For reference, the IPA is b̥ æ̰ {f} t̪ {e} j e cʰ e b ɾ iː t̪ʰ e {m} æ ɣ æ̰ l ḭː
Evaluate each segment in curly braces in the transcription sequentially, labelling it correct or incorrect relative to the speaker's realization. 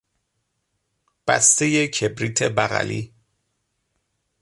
incorrect: s, correct, incorrect: b

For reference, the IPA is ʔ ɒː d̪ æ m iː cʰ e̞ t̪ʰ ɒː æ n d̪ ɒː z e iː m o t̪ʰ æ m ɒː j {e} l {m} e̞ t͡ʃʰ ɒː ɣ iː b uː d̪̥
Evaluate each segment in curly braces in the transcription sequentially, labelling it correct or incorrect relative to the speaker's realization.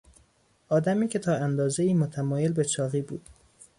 correct, incorrect: b

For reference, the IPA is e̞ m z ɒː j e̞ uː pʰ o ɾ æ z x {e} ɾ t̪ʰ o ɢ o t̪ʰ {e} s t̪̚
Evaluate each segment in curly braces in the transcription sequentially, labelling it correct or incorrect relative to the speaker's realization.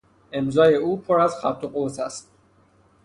incorrect: æ, incorrect: æ

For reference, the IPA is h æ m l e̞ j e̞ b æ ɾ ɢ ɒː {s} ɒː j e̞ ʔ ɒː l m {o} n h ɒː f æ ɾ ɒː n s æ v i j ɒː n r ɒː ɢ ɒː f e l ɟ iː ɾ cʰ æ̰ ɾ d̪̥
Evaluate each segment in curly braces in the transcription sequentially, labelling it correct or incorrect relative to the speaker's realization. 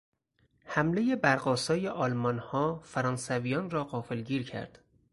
correct, incorrect: ɒ

